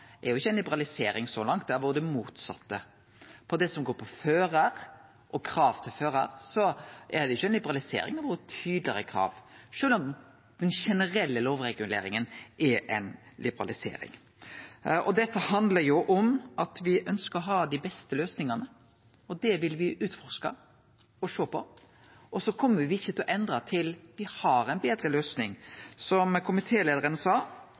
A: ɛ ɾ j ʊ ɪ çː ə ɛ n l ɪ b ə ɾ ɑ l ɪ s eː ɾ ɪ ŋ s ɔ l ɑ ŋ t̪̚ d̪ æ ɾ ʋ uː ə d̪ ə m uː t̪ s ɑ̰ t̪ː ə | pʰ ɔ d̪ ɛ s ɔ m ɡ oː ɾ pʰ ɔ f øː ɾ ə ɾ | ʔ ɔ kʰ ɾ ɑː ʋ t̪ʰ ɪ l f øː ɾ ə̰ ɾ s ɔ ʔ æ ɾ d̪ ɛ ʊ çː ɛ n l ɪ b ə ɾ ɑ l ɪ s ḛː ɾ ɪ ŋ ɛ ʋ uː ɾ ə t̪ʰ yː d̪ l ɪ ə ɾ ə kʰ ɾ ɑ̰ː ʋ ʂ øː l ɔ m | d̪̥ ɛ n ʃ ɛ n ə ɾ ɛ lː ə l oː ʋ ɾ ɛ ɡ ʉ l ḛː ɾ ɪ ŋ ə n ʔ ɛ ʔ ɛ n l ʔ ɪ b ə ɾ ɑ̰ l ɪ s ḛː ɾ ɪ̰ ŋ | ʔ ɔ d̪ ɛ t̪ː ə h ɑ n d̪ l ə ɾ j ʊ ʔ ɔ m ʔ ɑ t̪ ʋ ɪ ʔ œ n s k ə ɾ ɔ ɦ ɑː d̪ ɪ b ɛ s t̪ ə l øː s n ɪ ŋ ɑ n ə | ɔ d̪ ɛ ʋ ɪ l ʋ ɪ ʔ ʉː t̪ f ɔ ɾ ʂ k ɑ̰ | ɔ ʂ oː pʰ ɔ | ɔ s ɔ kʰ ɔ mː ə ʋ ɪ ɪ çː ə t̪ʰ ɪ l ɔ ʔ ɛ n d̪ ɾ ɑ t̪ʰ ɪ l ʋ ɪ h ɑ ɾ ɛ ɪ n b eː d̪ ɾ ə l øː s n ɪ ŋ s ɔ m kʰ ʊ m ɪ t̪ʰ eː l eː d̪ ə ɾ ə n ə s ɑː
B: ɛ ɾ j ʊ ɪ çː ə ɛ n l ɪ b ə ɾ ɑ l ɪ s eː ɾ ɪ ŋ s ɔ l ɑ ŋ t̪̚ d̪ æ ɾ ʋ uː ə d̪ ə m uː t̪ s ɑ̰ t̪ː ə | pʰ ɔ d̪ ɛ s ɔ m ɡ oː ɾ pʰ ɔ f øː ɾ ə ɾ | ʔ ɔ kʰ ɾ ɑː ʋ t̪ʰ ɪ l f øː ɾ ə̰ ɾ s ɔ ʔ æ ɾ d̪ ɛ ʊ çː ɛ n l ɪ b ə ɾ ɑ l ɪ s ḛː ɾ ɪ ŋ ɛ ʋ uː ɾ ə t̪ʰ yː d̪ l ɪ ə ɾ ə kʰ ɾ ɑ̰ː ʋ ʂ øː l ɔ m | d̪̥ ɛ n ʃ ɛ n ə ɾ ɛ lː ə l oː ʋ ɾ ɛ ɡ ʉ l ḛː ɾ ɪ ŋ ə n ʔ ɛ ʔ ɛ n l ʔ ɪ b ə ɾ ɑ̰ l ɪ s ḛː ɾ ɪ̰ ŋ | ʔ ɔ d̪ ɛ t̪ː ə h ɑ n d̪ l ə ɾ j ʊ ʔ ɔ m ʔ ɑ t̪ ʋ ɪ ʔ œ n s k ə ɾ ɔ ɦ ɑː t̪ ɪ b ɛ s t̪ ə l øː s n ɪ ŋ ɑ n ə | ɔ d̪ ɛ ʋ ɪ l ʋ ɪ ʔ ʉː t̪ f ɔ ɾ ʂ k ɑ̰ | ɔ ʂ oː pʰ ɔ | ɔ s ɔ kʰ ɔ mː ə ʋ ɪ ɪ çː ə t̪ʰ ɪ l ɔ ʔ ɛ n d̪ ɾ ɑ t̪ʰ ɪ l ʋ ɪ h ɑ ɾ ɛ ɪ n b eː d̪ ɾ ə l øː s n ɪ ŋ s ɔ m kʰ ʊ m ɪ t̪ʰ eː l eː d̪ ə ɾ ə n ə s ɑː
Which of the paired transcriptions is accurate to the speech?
A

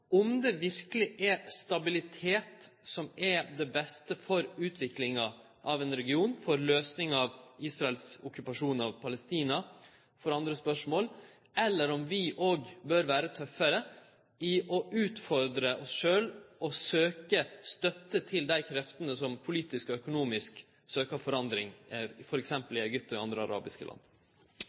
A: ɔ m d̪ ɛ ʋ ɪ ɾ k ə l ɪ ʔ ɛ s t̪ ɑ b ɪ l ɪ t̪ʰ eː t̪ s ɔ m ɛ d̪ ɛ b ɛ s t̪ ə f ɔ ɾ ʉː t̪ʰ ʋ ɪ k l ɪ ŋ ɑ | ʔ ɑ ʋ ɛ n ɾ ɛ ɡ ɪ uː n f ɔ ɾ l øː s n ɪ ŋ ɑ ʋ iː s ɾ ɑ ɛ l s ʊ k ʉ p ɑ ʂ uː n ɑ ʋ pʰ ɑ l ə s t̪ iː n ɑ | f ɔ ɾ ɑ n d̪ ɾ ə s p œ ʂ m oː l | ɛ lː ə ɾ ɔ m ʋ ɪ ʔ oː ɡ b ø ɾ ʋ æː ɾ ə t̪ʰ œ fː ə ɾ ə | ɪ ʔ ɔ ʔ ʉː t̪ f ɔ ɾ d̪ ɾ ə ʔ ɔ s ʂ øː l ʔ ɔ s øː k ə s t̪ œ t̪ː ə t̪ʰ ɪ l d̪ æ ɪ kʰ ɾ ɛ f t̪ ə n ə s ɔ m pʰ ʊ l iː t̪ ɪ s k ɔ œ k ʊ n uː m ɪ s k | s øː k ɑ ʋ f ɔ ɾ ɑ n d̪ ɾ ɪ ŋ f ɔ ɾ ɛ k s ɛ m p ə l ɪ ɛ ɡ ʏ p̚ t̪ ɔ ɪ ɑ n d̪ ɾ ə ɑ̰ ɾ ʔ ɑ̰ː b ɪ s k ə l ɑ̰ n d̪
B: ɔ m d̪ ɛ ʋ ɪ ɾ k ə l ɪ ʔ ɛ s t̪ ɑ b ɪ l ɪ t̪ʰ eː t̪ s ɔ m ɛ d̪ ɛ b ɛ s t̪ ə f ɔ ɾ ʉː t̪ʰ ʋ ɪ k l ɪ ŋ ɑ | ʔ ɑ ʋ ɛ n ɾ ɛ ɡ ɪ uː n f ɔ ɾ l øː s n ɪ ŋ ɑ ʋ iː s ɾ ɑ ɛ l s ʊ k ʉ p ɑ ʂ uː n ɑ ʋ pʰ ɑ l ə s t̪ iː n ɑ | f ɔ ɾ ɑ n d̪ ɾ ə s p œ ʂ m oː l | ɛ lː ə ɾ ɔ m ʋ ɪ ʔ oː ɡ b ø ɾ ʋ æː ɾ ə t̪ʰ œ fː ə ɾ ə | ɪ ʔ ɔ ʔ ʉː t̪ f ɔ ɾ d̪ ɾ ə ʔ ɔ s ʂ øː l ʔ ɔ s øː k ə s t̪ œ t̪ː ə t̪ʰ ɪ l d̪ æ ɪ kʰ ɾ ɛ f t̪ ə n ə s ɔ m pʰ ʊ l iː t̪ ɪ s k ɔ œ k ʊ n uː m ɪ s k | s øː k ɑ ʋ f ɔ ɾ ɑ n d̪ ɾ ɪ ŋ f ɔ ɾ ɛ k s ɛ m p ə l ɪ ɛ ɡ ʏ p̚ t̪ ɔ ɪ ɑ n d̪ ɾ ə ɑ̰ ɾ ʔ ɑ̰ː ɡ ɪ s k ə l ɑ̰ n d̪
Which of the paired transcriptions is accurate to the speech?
A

